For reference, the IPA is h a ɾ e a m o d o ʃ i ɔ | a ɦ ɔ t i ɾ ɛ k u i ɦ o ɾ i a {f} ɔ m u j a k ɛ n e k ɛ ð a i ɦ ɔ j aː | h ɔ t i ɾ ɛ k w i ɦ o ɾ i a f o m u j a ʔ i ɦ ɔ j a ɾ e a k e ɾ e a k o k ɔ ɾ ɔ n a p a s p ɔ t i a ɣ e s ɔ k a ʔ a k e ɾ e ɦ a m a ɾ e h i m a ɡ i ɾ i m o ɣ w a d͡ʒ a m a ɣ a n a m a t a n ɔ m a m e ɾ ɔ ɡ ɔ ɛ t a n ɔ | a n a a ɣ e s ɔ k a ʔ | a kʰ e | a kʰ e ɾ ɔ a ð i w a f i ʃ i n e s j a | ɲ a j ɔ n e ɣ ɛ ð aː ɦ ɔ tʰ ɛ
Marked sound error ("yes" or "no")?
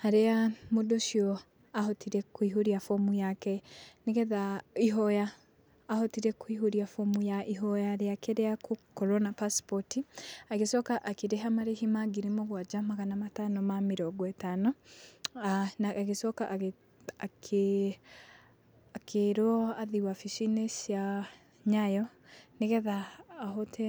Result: no